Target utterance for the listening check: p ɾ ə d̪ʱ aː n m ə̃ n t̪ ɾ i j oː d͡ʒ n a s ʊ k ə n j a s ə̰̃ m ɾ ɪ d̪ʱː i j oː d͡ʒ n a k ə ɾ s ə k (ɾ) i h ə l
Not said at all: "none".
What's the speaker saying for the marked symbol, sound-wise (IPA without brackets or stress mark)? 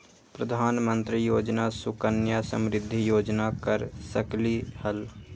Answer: l